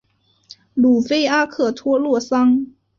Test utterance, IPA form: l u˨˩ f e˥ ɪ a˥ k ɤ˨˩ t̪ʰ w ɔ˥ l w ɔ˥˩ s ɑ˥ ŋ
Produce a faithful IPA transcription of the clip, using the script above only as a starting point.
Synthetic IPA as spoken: l u˨˩ f e˥ ɪ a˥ kʰ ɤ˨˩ t̪ʰ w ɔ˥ l w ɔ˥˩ s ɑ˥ ŋ